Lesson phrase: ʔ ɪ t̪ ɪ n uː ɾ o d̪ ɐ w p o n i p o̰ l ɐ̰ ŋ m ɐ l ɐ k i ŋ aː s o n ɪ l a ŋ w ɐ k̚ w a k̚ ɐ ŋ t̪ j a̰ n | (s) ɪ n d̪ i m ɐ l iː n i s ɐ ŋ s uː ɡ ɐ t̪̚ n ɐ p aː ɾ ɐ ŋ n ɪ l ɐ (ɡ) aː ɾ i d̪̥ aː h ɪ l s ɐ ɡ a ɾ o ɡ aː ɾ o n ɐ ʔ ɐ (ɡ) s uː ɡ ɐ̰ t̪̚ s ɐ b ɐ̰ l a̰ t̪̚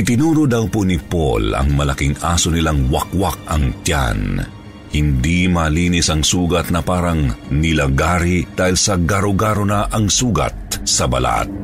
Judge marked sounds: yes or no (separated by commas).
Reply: no, yes, no